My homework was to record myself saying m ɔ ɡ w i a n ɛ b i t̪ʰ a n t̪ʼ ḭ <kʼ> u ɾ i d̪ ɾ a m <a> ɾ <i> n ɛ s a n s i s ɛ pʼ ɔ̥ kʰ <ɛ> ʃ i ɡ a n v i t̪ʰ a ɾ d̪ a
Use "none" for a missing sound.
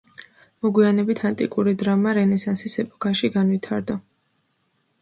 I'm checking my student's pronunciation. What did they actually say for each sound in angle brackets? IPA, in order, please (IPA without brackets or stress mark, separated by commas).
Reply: kʼ, a, ɛ, a